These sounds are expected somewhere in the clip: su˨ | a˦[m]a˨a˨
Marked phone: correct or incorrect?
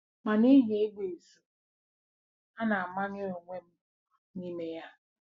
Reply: incorrect